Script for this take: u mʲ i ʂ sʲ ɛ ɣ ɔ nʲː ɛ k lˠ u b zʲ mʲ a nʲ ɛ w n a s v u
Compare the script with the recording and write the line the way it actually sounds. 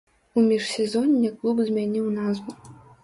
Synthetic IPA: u mʲ i ʂ sʲ ɛ z ɔ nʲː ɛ k lˠ u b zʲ mʲ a nʲ i w n a z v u